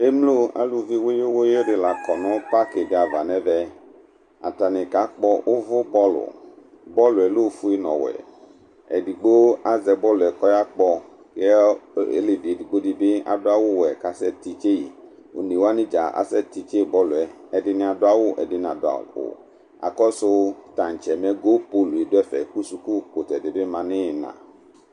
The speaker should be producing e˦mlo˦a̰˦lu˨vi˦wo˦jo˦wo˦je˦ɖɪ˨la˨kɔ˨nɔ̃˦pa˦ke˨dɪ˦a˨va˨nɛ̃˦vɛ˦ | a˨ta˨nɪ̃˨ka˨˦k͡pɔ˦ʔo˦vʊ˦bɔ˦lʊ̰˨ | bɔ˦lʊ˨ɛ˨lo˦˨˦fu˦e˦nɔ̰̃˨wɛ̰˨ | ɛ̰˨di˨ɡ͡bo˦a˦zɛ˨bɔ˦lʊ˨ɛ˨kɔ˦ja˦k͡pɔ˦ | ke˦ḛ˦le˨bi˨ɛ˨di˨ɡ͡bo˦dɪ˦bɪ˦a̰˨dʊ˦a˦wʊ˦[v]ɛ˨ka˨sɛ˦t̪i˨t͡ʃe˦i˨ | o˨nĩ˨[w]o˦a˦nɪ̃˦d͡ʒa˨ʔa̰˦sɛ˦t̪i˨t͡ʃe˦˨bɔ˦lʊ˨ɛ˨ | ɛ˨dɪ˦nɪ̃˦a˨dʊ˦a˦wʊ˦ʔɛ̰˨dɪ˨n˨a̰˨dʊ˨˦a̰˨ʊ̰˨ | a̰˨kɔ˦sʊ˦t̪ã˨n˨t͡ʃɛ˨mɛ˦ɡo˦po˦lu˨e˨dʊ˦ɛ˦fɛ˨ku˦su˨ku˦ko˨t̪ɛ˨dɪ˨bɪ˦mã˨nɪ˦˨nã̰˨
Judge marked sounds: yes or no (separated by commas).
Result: no, yes